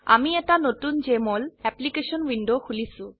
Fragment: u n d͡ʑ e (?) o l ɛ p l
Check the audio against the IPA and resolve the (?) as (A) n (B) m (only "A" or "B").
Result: B